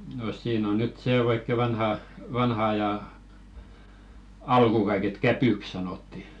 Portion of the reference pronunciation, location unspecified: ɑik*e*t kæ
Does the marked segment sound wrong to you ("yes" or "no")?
no